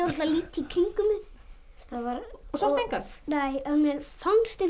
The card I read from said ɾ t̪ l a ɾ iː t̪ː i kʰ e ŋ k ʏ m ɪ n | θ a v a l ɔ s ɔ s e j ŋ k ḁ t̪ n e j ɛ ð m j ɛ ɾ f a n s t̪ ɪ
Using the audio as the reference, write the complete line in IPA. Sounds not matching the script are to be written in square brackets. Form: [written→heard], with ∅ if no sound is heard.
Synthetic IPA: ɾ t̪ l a [ɾ→l] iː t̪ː i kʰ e ŋ k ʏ m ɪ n | θ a v a [l→ɾ] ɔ s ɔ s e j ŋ k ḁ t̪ n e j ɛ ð m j ɛ ɾ f a n s t̪ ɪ